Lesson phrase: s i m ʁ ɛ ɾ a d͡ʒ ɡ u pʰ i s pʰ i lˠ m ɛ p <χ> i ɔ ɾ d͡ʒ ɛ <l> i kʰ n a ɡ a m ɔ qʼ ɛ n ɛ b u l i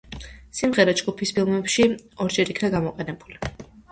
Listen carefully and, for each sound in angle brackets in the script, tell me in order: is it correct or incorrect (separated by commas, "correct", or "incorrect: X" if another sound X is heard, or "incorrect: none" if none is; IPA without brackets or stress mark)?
incorrect: ʃ, incorrect: ɾ